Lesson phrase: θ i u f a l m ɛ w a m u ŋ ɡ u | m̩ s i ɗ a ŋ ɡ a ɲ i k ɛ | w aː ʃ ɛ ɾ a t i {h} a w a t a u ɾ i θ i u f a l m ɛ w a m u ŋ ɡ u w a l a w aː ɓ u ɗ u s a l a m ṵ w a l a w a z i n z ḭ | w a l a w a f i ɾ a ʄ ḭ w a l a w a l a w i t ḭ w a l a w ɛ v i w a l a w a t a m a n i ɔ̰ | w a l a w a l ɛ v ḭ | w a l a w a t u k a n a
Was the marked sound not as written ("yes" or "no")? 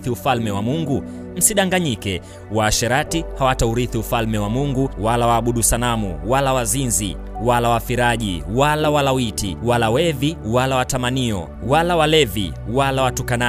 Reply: no